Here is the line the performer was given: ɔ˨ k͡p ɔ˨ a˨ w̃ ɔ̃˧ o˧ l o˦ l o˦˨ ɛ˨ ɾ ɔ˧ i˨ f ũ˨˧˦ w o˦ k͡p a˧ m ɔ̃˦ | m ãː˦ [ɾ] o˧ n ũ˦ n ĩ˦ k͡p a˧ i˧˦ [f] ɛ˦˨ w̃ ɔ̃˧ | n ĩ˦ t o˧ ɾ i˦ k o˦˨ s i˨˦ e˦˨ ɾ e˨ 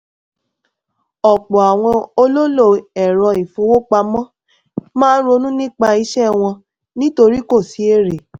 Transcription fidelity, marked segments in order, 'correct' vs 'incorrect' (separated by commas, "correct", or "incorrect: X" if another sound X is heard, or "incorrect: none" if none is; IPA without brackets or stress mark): correct, incorrect: ʃ